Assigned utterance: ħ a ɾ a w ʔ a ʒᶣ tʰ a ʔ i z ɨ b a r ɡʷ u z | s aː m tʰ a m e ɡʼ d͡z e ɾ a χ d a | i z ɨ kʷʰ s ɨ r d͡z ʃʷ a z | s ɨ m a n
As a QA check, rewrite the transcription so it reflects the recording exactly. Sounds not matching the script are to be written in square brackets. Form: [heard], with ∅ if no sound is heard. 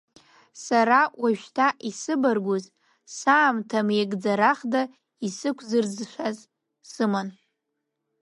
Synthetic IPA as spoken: [s] a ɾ a w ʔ a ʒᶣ tʰ a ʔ i [s] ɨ b a r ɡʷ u z | s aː m tʰ a m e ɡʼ d͡z [a] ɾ a χ d a | i [s] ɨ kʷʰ [z] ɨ r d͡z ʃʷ a z | s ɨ m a n